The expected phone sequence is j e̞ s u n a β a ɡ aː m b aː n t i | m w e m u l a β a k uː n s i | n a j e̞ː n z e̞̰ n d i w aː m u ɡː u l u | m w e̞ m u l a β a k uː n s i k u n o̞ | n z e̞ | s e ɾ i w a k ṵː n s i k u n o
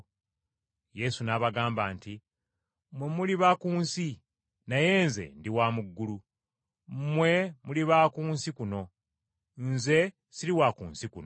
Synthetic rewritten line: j e̞ s u n a β a ɡ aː m b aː n t i | m w e m u l i β a k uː n s i | n a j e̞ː n z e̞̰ n d i w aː m u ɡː u l u | m w e̞ m u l i β a k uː n s i k u n o̞ | n z e̞ | s i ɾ i w a k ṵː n s i k u n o